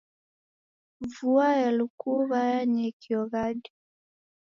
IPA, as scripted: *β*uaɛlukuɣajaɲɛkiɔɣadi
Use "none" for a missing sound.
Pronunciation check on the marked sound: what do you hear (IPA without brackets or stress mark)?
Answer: v